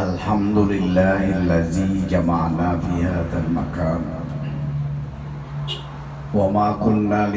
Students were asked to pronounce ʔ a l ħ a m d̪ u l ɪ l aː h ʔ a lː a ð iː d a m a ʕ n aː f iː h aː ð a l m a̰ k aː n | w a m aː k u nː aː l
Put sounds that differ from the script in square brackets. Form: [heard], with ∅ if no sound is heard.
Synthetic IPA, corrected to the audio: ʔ a l ħ a m d̪ [ʊ] l ɪ [lː] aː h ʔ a lː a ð iː [d͡ʒ] a m a ʕ n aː f iː h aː ð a l m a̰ k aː n | w a m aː k [ʊ] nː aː l